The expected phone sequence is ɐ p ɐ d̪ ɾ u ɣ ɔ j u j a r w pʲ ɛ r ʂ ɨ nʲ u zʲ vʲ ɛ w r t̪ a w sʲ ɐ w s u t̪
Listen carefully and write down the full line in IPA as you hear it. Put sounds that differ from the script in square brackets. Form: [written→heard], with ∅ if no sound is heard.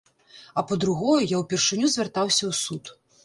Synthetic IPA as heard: ɐ p ɐ d̪ ɾ u ɣ ɔ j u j a [r→∅] w pʲ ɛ r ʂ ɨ nʲ u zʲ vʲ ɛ [w→∅] r t̪ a w sʲ ɐ w s u t̪